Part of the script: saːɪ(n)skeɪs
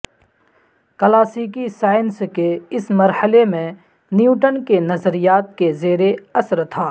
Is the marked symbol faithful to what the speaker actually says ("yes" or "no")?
yes